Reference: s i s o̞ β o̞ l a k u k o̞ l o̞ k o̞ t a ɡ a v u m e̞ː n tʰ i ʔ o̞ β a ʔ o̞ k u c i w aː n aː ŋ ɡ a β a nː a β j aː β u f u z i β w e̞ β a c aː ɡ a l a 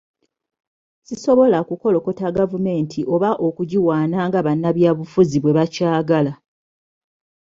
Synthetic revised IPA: s i s o̞ β o̞ l a k u k o̞ l o̞ k o̞ t a ɡ a v u m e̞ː n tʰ i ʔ o̞ β a ʔ o̞ k u ɟ i w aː n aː ŋ ɡ a β a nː a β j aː β u f u z i β w e̞ β a c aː ɡ a l a